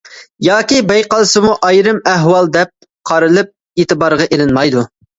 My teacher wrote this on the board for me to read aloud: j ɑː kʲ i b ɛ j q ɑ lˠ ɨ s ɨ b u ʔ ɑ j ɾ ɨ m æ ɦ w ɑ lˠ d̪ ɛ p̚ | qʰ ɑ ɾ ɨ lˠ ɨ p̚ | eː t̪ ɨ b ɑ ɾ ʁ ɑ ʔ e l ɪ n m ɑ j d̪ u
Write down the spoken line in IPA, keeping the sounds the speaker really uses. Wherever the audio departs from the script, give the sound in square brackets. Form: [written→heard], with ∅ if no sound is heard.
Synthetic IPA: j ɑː kʲ i b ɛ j q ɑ lˠ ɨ s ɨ [b→m] u ʔ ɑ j ɾ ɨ m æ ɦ w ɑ lˠ d̪ ɛ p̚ | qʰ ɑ ɾ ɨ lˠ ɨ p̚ | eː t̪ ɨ b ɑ ɾ ʁ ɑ ʔ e l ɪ n m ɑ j d̪ u